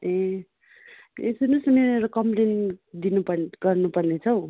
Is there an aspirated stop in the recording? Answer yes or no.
yes